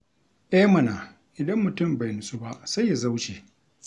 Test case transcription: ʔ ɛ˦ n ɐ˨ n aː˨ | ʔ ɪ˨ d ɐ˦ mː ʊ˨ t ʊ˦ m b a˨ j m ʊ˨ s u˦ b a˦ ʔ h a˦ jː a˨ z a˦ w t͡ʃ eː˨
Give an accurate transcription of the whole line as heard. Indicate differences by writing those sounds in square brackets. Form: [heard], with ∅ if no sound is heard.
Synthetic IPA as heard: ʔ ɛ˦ [m] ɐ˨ n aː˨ | ʔ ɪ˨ d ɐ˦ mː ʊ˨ t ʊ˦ m b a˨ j [n] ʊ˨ s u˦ b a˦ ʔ [s] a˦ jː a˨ z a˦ w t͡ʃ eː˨